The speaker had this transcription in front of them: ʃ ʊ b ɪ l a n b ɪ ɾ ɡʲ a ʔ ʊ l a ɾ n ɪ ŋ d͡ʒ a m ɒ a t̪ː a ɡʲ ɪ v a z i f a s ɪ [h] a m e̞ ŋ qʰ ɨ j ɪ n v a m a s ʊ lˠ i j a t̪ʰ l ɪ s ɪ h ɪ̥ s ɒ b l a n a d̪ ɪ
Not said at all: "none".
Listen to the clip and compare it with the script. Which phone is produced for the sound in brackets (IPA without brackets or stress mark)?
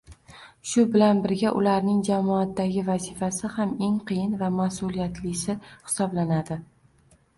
h